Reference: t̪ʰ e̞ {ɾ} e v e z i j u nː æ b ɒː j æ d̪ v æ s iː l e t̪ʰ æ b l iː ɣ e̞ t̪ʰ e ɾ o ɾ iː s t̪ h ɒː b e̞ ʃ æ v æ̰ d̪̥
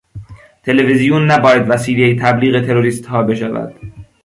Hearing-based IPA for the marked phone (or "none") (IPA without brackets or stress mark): l